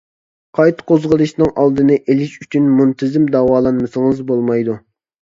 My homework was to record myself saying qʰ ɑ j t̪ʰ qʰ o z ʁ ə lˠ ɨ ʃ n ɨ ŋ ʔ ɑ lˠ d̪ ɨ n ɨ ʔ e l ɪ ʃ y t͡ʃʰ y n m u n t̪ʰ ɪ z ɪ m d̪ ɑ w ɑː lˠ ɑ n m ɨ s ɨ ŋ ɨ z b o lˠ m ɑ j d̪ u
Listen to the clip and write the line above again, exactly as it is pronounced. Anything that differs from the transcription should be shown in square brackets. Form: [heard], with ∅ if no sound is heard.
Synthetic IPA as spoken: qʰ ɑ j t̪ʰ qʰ o z ʁ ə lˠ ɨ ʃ n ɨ ŋ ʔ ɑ lˠ d̪ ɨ n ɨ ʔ e l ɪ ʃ y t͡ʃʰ y n m u n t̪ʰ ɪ z ɪ m d̪ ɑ w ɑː lˠ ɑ n m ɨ s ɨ ŋ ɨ z b o lˠ m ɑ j d̪ u